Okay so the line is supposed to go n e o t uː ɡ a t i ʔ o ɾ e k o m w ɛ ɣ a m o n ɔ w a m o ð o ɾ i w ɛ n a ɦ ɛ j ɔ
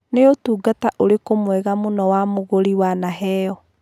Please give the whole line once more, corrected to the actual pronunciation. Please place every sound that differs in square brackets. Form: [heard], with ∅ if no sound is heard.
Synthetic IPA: n e o t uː ɡ a t [a] ʔ o ɾ e k o m w ɛ ɣ a m o n ɔ w a m o [ɣ] o ɾ i w [a] n a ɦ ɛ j ɔ

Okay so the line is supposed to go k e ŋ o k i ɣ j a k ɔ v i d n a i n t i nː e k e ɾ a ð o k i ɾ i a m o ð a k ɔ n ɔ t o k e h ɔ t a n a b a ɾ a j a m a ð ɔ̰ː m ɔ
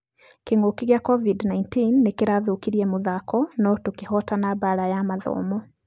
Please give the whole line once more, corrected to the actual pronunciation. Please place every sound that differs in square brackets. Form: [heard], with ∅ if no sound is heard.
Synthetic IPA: k e ŋ o k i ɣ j a k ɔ v i d n a i n t i nː e k e ɾ a ð o k i ɾ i [ɛ] m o ð a k ɔ n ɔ t o k e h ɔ t a n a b a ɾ a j a m a ð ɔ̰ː m ɔ

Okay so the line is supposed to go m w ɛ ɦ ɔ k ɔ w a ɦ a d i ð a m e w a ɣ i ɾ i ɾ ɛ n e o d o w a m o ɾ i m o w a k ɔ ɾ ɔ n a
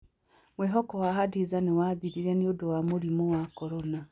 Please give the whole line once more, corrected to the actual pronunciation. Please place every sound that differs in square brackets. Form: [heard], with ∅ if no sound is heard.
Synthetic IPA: m w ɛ ɦ ɔ k ɔ w a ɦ a d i [z] a [n] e w a [ð] i ɾ i ɾ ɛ n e o d o w a m o ɾ i m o w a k ɔ ɾ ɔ n a

